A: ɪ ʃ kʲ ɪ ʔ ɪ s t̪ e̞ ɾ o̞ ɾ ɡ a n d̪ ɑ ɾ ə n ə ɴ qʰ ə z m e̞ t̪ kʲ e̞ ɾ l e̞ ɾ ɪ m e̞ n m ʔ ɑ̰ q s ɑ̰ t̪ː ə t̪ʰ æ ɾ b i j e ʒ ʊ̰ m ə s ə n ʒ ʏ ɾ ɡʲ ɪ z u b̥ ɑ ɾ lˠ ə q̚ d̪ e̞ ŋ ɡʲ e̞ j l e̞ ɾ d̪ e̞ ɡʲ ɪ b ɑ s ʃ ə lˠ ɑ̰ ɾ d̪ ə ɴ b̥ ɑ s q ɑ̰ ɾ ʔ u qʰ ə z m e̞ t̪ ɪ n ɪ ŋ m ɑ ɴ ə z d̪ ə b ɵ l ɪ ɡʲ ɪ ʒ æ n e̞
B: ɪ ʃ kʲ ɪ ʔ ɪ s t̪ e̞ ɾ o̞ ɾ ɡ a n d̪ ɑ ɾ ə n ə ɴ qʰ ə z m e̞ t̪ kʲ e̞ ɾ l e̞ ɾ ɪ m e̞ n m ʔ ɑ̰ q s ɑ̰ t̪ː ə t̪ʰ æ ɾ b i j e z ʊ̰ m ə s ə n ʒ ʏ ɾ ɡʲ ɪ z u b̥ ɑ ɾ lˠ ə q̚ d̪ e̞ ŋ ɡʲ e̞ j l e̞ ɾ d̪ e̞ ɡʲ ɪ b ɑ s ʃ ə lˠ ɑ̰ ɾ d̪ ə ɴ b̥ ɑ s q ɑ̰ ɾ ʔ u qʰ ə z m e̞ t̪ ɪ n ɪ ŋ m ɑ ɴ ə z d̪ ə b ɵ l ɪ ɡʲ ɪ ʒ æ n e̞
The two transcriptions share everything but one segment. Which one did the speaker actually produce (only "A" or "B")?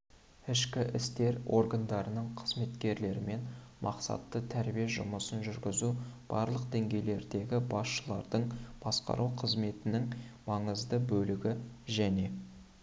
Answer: A